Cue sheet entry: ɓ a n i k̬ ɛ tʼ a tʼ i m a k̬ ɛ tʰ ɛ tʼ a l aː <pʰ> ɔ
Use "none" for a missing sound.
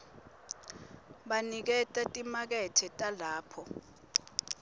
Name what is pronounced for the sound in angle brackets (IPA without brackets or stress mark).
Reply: pʰ